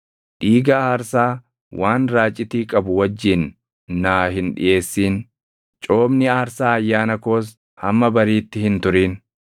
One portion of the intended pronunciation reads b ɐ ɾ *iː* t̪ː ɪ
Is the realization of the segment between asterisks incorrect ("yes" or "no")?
no